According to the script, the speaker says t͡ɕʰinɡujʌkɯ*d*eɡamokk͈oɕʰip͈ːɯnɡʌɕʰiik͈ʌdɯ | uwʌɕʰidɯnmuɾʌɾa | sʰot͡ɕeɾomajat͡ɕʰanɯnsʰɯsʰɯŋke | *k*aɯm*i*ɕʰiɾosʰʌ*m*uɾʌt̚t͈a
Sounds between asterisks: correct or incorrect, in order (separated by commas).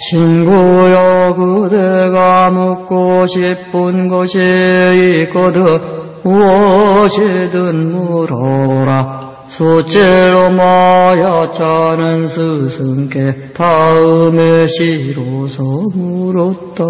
correct, incorrect, incorrect, correct